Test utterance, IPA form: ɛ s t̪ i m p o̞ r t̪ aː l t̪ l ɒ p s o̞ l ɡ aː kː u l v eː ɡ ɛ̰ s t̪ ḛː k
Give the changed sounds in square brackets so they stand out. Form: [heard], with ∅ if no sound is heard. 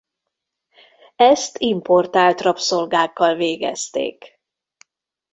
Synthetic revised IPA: ɛ s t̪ i m p o̞ r t̪ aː l t̪ [r] ɒ p s o̞ l ɡ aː kː [ɒ] l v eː ɡ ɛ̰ s t̪ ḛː k